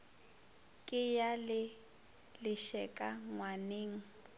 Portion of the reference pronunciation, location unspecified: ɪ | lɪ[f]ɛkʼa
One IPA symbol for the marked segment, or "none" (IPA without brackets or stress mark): ʃ